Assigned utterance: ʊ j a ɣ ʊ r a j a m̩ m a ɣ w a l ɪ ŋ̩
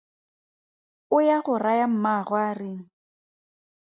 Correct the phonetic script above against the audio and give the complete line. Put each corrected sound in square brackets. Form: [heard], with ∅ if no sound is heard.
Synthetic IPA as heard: ʊ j a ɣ ʊ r a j a m̩ m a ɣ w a [r] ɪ ŋ̩